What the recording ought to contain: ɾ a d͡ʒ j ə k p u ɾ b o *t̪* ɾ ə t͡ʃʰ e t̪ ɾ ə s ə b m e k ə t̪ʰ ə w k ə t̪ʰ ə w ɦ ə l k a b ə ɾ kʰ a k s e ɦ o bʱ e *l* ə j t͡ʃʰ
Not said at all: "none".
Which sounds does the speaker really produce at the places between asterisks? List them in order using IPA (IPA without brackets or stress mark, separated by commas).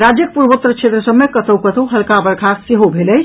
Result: t̪, l